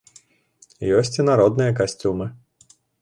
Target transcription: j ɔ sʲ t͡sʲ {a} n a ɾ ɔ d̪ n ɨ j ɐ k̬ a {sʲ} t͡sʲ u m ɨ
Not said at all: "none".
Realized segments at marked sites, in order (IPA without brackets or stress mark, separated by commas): i, sʲ